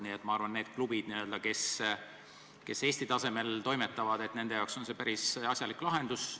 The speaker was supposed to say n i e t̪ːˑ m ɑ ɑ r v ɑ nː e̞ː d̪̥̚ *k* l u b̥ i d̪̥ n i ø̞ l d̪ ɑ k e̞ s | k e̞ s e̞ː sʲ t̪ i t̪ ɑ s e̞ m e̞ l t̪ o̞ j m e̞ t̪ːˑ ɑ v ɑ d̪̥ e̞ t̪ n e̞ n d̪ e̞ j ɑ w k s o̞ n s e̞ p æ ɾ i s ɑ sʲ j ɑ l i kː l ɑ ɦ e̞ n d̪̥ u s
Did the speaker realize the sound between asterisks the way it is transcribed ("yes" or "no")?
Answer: yes